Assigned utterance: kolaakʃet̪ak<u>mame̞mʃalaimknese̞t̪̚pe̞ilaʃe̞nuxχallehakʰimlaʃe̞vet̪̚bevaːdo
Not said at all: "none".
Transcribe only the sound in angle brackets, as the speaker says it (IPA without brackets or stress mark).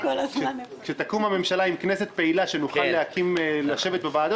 u